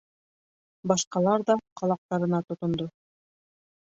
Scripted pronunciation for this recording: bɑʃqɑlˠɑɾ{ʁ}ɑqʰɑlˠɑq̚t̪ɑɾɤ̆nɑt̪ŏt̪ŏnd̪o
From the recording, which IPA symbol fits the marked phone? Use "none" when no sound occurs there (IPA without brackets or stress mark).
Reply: ð